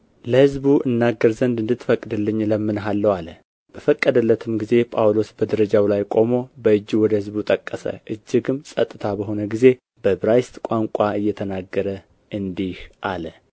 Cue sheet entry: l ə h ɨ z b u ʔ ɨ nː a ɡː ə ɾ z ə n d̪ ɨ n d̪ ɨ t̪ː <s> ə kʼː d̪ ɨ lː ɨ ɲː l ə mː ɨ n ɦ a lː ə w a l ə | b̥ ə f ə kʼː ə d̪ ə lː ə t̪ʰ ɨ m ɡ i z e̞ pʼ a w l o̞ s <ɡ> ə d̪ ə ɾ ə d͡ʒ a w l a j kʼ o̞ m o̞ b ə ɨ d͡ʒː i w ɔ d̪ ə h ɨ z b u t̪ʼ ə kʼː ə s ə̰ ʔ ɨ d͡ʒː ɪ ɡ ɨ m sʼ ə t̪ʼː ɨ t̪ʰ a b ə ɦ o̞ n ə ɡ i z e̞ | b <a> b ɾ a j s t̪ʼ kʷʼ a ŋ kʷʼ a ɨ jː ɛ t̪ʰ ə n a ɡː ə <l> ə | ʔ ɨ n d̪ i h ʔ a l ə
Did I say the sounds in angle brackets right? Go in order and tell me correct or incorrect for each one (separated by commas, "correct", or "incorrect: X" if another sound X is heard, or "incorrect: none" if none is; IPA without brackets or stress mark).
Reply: incorrect: f, incorrect: b, incorrect: ə, incorrect: ɾ